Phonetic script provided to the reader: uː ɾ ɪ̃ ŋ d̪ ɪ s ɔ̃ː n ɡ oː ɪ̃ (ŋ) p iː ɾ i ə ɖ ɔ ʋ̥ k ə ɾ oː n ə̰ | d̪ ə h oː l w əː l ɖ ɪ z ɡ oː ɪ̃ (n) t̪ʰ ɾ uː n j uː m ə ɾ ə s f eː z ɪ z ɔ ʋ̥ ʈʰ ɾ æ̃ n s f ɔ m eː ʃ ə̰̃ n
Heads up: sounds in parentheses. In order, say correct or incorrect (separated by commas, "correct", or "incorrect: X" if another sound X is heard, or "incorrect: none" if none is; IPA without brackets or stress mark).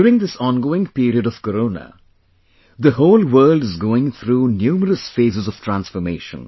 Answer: correct, incorrect: ŋ